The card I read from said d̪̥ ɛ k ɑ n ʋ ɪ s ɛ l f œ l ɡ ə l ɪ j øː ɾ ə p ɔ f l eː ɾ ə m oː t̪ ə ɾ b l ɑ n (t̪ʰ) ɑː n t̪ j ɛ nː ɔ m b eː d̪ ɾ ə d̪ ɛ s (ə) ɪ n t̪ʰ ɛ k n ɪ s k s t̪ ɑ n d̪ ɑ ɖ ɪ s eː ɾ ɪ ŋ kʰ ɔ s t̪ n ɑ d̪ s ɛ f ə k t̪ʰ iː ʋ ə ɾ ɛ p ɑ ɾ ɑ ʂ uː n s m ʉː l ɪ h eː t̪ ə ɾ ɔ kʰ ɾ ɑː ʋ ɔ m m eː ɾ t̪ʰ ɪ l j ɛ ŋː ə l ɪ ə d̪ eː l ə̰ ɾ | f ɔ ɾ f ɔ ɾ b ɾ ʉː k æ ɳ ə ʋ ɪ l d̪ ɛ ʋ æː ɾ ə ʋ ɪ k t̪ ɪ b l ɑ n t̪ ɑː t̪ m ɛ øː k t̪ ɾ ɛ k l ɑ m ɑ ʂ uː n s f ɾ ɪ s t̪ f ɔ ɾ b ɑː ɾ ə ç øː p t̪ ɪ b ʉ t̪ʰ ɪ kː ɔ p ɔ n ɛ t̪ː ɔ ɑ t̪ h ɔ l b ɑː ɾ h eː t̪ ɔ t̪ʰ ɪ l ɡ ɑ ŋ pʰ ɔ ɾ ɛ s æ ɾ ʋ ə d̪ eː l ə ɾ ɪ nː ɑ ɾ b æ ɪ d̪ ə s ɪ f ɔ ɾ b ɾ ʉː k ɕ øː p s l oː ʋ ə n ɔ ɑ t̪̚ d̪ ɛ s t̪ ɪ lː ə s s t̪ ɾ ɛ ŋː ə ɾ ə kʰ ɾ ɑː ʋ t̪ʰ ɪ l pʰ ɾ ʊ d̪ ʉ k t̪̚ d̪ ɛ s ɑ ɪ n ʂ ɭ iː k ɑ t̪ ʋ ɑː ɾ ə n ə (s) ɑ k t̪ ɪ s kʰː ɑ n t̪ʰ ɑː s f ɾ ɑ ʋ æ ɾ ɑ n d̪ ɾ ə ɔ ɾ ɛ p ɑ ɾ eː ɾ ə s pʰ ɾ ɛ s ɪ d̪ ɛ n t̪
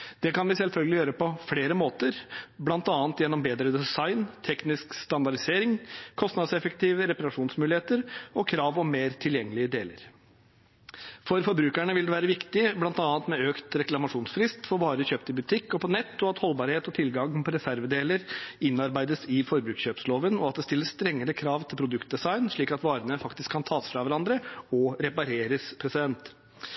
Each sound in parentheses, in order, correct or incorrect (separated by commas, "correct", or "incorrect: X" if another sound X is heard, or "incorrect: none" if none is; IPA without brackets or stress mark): incorrect: t̪, incorrect: ɑ, incorrect: f